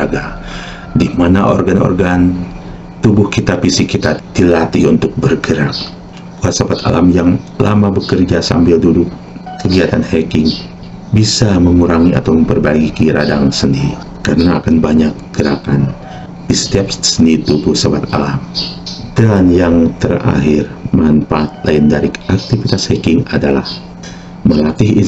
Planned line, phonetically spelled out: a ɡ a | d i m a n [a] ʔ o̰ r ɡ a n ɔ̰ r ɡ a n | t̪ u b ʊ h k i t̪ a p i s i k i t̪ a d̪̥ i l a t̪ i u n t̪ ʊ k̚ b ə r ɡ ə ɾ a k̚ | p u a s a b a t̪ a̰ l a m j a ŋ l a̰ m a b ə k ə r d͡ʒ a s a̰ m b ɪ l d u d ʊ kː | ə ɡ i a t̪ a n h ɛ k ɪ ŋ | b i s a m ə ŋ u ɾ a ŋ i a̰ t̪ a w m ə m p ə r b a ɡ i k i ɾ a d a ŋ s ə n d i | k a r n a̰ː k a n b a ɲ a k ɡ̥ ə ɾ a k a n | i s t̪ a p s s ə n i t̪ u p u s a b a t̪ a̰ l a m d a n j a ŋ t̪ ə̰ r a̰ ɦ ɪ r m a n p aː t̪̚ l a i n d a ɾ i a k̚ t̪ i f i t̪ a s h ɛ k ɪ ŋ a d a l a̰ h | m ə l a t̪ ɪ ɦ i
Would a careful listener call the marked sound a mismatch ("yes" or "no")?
no